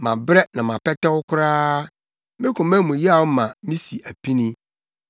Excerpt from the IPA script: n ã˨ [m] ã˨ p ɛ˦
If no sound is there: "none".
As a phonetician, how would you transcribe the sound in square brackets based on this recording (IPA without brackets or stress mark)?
m